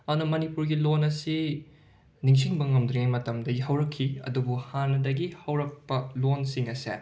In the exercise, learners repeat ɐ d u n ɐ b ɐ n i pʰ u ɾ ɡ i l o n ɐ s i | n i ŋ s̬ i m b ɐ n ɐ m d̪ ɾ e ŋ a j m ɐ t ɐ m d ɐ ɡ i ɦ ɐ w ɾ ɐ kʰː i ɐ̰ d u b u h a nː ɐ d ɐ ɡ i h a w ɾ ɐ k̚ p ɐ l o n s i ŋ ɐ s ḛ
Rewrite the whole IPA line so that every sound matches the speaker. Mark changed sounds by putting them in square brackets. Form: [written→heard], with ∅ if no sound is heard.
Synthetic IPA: ɐ d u n ɐ [b→m] ɐ n i [pʰ→p] u ɾ ɡ i l o n ɐ s i | n i ŋ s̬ i [m→ŋ] b ɐ [n→ŋ] ɐ m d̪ ɾ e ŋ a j m ɐ t ɐ m d ɐ ɡ i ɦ ɐ w ɾ ɐ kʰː i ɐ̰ d u b u h a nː ɐ d ɐ ɡ i h [a→ɐ] w ɾ ɐ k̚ p ɐ l o n s i ŋ ɐ s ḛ